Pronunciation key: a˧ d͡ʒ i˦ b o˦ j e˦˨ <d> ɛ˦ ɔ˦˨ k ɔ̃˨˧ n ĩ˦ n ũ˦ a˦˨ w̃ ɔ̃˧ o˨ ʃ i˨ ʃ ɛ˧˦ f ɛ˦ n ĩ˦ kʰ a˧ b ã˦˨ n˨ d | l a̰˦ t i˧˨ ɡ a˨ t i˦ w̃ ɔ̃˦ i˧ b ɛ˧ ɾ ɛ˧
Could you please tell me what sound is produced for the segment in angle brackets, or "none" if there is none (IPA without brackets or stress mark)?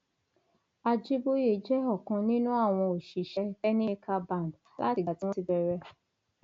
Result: d͡ʒ